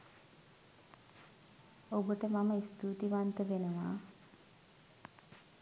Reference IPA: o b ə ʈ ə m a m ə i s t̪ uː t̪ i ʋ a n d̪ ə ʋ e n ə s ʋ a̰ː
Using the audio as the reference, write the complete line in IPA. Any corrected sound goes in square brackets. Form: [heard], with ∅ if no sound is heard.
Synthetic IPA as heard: o b ə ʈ ə m a m ə i s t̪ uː t̪ i ʋ a n [t̪] ə ʋ e n ə [∅] ʋ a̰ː